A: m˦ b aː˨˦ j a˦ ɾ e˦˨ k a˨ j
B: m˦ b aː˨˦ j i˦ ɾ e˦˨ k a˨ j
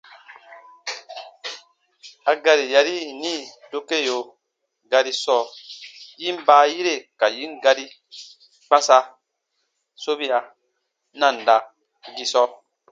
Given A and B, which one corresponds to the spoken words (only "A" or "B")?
B